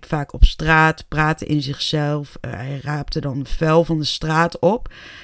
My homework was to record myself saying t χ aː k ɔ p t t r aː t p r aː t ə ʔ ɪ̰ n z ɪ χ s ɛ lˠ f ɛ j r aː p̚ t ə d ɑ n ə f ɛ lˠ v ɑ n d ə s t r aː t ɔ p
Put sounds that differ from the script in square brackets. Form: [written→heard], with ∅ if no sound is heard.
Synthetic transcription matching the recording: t [χ→f] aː k ɔ p [t→s] t r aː t p r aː t ə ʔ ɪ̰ n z ɪ χ s ɛ lˠ f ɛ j r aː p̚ t ə d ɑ n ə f ɛ lˠ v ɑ n d ə s t r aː t ɔ p